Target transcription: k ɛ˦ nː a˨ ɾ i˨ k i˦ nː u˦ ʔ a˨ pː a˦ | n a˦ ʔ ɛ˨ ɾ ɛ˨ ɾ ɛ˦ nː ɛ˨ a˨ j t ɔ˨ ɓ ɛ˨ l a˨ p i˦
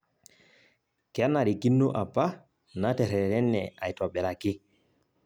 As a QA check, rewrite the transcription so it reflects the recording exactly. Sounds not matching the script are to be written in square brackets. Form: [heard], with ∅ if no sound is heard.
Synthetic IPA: k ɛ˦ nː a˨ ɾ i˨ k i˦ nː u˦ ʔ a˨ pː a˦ | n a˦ [t] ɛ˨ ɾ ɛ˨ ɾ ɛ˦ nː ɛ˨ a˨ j t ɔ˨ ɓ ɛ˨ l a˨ [k] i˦

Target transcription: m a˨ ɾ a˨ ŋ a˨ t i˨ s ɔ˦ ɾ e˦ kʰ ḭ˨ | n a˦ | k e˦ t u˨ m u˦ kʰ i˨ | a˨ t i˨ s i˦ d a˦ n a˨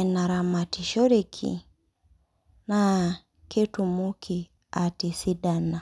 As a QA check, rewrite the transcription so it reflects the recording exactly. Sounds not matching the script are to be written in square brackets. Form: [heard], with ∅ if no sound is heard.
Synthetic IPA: [n] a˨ ɾ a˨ [m] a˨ t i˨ [ʃ] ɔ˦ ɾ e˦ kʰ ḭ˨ | n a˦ | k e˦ t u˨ m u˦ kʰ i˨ | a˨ t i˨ s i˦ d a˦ n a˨

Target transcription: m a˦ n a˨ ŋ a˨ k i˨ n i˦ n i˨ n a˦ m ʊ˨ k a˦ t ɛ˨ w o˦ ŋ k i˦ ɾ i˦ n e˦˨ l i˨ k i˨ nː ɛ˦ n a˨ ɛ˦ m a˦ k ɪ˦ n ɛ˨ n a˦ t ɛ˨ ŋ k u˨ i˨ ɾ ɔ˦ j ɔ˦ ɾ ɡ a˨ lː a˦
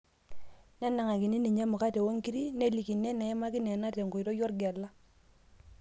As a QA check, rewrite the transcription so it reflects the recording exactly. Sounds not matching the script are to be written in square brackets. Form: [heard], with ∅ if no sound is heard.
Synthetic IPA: [n] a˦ n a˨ ŋ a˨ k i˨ n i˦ n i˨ [ɲ] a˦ m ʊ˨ k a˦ t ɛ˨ w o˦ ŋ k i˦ ɾ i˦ n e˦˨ l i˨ k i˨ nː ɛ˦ n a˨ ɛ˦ m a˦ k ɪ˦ n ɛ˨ n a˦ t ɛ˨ ŋ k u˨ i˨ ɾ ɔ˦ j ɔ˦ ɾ ɡ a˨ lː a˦

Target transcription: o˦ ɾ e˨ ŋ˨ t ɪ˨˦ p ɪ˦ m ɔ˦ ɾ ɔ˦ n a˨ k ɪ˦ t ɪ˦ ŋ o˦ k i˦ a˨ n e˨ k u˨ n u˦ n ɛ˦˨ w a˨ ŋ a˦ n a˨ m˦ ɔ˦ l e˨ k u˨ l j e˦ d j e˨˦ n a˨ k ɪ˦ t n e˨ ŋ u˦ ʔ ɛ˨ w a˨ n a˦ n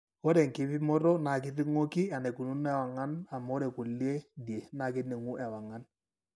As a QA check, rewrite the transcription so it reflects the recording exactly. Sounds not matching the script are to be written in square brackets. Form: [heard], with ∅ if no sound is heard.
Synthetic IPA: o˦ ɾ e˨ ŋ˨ [k] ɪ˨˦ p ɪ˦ m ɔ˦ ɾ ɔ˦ n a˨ k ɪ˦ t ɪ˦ ŋ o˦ k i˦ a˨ n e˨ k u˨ n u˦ n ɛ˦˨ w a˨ ŋ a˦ n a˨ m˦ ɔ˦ [ɾ] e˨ k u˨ l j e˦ d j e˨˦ n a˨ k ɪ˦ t n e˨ ŋ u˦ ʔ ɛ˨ w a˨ [ŋ] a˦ n

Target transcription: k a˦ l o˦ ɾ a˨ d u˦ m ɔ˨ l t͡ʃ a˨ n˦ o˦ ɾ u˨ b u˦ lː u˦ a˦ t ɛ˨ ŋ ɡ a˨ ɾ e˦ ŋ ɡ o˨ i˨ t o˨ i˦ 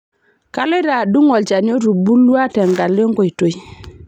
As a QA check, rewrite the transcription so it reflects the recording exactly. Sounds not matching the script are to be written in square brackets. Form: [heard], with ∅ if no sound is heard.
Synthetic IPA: k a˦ l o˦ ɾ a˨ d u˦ [ŋ] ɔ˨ l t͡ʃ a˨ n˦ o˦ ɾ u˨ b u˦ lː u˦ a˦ t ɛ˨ ŋ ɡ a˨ [l] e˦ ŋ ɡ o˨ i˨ t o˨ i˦

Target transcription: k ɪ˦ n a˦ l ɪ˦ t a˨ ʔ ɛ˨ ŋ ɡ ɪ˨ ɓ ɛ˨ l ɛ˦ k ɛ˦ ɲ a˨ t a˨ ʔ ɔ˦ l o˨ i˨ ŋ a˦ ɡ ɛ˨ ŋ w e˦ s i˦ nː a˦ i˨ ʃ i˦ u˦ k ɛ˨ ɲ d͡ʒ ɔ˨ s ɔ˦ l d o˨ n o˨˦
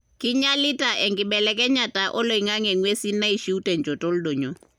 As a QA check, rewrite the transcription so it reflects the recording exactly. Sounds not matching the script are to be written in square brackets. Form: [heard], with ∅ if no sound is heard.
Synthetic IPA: k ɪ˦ [ɲ] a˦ l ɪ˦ t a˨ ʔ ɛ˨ ŋ ɡ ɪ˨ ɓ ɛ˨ l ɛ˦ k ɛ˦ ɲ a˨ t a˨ ʔ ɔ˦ l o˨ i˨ ŋ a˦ [ŋ] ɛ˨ ŋ w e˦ s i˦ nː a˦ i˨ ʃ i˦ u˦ [t] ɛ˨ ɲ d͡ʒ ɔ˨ [t] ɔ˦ l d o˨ [ɲ] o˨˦

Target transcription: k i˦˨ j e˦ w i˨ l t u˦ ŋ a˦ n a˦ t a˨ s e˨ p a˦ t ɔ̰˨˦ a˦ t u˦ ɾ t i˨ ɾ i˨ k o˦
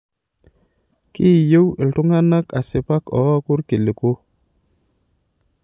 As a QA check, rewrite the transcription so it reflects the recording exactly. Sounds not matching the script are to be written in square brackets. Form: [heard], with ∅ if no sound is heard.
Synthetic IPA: k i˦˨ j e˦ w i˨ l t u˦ ŋ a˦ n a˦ [k] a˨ s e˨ p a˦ [k] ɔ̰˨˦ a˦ [k] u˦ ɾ [k] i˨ [l] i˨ k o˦

